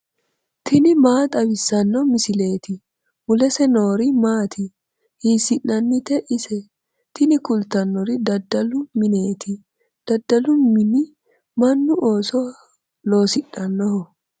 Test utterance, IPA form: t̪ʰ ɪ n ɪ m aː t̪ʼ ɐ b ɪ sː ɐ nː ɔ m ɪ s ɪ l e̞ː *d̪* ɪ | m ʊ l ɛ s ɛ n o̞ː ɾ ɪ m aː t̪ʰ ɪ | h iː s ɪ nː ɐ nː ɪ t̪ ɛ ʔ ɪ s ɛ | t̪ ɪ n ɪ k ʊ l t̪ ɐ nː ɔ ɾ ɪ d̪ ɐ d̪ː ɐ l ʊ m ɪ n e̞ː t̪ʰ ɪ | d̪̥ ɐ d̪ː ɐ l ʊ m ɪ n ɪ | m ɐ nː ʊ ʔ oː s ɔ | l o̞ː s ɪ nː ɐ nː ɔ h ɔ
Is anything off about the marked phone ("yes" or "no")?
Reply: yes